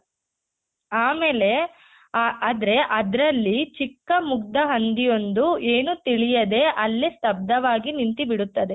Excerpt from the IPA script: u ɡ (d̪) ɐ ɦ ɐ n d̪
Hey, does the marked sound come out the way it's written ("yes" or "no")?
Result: yes